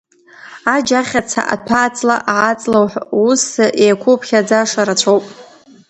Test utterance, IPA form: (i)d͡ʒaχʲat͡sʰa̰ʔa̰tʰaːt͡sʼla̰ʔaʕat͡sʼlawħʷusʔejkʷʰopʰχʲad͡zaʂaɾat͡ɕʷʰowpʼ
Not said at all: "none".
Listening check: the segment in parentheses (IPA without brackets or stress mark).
a